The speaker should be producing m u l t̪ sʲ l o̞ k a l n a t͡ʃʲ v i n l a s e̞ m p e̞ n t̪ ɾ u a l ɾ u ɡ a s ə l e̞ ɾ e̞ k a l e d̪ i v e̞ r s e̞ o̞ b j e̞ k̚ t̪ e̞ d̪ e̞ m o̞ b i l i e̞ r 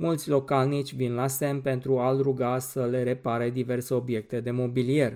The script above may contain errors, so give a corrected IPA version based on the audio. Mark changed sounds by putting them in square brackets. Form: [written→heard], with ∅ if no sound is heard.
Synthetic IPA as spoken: m u l t̪ sʲ l o̞ k a l n [a→i] t͡ʃʲ v i n l a s e̞ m p e̞ n t̪ ɾ u a l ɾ u ɡ a s ə l e̞ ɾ e̞ [k→p] a [l→ɾ] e d̪ i v e̞ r s e̞ o̞ b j e̞ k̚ t̪ e̞ d̪ e̞ m o̞ b i l i e̞ r